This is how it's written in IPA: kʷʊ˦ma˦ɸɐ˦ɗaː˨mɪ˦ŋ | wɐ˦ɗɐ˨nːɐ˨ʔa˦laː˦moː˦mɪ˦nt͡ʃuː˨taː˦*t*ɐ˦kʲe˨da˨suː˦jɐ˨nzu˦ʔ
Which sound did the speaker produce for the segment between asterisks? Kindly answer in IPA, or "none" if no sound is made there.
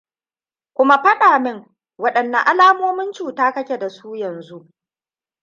k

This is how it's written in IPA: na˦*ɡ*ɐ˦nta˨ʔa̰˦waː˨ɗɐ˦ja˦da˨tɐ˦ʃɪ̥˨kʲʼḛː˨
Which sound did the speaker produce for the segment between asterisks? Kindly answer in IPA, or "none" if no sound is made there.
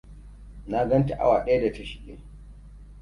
ɡ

